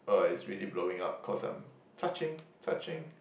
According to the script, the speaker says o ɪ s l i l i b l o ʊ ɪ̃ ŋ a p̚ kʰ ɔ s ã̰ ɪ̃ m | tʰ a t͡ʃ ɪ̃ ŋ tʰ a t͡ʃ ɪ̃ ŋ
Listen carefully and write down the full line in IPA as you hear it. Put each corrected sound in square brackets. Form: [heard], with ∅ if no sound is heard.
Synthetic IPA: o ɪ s [ɹ] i l i b l o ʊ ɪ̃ ŋ a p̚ kʰ ɔ s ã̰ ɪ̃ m | tʰ a t͡ʃ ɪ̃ ŋ tʰ a t͡ʃ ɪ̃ ŋ